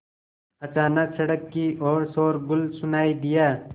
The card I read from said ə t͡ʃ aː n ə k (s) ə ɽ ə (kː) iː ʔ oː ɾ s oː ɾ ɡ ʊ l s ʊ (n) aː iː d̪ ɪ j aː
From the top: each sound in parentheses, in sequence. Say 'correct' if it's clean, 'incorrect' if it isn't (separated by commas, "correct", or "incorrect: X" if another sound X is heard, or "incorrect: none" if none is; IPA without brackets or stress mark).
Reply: correct, correct, correct